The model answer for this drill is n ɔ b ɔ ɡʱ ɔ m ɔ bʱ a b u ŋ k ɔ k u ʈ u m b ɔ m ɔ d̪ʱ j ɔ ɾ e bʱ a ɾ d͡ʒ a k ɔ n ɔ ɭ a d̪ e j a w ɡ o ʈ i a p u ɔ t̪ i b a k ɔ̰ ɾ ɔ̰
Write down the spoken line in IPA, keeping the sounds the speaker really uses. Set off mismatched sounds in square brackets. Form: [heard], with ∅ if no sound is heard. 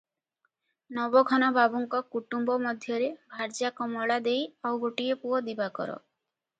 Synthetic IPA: n ɔ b ɔ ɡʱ ɔ [n] ɔ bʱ a b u ŋ k ɔ k u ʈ u m b ɔ m ɔ d̪ʱ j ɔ ɾ e bʱ a ɾ d͡ʒ a k ɔ [m] ɔ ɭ a d̪ e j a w ɡ o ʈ i [e] p u ɔ [d̪] i b a k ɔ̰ ɾ ɔ̰